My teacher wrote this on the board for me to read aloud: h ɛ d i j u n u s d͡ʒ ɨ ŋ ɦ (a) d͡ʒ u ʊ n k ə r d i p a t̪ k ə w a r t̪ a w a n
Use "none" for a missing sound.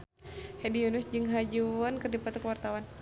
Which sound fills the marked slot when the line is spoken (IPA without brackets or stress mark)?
a